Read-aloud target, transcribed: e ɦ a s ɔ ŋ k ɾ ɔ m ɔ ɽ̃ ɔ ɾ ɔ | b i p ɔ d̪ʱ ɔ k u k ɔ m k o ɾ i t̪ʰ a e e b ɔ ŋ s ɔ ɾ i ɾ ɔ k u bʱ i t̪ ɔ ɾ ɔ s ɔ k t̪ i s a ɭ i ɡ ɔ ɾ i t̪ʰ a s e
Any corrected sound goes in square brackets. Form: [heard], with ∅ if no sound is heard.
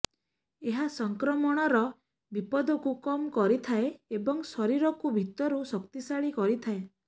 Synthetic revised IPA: e ɦ a s ɔ ŋ k ɾ ɔ m ɔ ɽ̃ ɔ ɾ ɔ | b i p ɔ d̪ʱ ɔ k u k ɔ m k [ɔ] ɾ i t̪ʰ a e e b ɔ ŋ s ɔ ɾ i ɾ ɔ k u bʱ i t̪ ɔ ɾ [u] s ɔ k t̪ i s a ɭ i [k] ɔ ɾ i t̪ʰ a [∅] e